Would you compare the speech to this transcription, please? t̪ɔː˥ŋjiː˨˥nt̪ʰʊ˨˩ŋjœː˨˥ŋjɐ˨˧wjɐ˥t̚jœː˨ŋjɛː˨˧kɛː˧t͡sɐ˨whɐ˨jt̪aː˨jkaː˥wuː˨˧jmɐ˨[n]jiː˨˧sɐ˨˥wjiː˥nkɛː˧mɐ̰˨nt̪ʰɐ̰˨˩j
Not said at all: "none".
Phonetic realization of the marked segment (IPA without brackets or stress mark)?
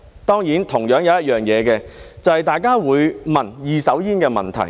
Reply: n